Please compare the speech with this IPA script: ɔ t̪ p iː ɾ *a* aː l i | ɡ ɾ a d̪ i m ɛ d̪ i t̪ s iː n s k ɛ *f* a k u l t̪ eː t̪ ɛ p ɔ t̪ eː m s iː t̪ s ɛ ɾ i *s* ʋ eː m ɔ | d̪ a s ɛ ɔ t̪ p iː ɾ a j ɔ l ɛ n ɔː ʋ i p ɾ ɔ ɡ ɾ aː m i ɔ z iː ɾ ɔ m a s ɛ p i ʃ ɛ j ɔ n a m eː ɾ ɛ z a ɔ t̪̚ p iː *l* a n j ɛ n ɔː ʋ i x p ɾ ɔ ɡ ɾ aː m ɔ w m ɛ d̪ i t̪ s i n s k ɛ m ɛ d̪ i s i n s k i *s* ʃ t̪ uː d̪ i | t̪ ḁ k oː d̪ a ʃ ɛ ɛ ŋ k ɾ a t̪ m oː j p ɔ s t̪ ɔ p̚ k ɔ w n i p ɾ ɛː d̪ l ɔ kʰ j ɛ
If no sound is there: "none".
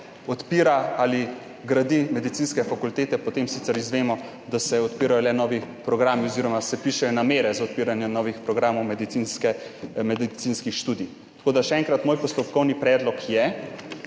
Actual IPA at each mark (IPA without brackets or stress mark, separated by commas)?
a, f, z, ɾ, x